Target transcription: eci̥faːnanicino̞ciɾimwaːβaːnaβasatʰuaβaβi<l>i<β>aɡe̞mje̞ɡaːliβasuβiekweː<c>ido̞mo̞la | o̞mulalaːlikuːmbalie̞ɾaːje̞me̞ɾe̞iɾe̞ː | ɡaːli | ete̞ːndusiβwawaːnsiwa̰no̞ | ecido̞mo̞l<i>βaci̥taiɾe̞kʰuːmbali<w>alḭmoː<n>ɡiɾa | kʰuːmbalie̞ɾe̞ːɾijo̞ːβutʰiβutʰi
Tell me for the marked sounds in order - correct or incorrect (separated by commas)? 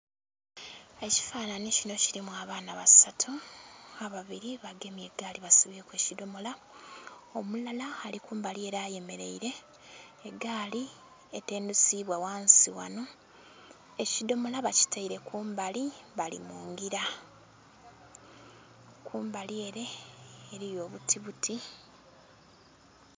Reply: incorrect, correct, correct, incorrect, incorrect, incorrect